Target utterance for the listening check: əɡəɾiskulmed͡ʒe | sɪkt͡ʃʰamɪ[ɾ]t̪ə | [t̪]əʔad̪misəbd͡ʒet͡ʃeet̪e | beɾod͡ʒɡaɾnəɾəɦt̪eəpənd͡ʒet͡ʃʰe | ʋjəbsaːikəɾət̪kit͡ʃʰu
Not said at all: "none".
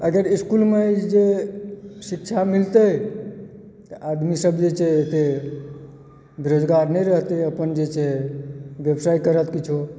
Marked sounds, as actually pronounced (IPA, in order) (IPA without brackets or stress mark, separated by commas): l, t̪